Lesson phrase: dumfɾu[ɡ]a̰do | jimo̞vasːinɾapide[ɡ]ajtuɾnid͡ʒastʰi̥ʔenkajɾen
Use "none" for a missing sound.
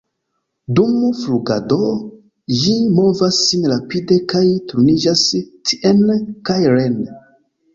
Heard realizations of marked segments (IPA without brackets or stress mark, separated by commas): ɡ, k